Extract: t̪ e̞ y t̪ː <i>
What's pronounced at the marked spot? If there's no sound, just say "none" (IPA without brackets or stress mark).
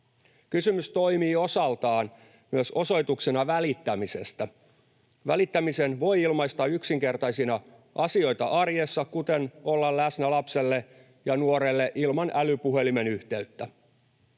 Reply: æ